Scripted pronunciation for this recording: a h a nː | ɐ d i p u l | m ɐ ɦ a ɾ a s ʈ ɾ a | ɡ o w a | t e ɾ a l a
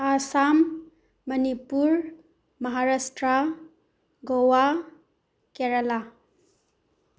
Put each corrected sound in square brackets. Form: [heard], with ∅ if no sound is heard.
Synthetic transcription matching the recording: a [s] a [mː] | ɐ [n] i p u [ɾ] | m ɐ ɦ a ɾ a s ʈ ɾ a | ɡ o w a | [k] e ɾ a l a